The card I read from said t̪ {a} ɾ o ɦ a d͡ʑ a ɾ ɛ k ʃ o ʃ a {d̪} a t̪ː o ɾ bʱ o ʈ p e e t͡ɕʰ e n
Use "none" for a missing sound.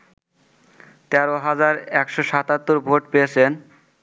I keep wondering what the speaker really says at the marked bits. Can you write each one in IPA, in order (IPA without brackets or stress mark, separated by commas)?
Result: ɛ, t̪